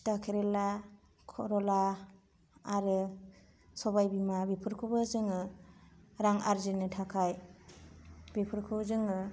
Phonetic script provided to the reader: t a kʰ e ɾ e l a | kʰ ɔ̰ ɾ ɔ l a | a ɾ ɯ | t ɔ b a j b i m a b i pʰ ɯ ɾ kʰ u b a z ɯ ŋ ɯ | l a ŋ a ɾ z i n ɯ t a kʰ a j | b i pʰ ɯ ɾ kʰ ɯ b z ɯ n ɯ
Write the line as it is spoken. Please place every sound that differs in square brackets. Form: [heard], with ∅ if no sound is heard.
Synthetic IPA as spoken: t a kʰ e ɾ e l a | kʰ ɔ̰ ɾ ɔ l a | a ɾ ɯ | [s] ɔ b a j b i m a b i pʰ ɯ ɾ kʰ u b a z ɯ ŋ ɯ | [ɾ] a ŋ a ɾ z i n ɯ [tʰ] a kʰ a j | b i pʰ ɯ ɾ kʰ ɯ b z ɯ [ŋ] ɯ